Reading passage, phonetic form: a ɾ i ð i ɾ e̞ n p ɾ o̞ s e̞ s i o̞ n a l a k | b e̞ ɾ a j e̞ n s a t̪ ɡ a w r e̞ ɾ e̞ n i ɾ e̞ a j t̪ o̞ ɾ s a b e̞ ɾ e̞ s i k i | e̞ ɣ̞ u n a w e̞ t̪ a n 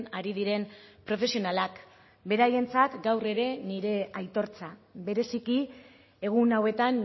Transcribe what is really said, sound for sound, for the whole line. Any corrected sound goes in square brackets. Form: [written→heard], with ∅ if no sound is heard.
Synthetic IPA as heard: a ɾ i ð i ɾ e̞ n p ɾ o̞ [s→f] e̞ s i o̞ n a l a k | b e̞ ɾ a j e̞ n [s→t͡s] a t̪ ɡ a w r e̞ ɾ e̞ n i ɾ e̞ a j t̪ o̞ ɾ [s→t͡s] a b e̞ ɾ e̞ s i k i | e̞ ɣ̞ u n a w e̞ t̪ a n